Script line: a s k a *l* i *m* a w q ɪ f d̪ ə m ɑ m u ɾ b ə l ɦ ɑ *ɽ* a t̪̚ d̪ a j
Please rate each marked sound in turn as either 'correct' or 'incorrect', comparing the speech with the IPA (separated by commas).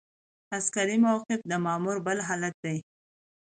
incorrect, correct, incorrect